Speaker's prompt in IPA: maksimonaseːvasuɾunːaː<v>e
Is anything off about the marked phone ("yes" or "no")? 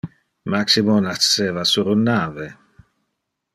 no